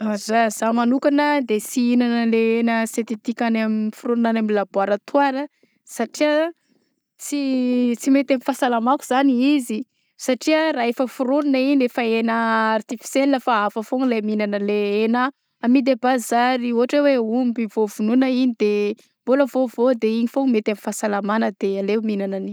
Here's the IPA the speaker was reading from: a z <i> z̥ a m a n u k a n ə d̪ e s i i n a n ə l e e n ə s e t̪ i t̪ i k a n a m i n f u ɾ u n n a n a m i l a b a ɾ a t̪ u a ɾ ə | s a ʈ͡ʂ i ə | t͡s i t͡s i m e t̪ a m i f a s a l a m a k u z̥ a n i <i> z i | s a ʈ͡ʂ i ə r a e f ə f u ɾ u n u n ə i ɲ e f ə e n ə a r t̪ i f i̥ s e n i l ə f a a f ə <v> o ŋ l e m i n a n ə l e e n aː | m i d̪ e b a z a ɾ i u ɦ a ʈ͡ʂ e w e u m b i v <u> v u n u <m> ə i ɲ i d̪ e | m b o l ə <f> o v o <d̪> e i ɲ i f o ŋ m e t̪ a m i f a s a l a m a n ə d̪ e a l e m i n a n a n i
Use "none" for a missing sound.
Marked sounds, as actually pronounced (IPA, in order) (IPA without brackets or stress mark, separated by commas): a, i, f, o, n, v, d̪